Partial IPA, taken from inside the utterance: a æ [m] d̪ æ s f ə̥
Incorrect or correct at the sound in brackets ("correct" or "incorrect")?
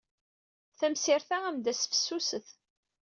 correct